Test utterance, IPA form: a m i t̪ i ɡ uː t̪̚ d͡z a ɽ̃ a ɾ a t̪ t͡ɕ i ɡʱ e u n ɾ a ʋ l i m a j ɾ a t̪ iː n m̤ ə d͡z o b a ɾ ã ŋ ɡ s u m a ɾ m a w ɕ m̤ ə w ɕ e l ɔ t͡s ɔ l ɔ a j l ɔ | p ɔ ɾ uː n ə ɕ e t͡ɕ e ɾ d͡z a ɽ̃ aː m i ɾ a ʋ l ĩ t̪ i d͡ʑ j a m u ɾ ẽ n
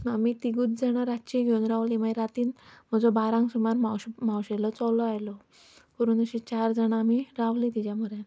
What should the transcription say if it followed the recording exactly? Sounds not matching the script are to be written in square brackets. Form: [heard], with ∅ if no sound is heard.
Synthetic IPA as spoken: a m i t̪ i ɡ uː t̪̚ d͡z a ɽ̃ a ɾ a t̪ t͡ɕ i ɡʱ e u n ɾ a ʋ l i m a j ɾ a t̪ iː n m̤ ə d͡z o b a ɾ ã ŋ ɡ s u m a ɾ m a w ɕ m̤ [a] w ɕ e l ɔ t͡s ɔ l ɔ a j l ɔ | p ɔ ɾ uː n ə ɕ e t͡ɕ [a] ɾ d͡z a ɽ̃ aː m i ɾ a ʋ l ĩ t̪ i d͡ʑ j a m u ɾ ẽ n